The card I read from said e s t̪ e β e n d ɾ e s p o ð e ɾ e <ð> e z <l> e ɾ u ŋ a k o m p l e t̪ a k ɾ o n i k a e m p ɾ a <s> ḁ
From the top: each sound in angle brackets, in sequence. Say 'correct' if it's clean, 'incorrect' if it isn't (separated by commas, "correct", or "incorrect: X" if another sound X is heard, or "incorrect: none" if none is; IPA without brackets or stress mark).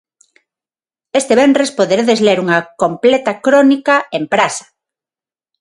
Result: correct, correct, correct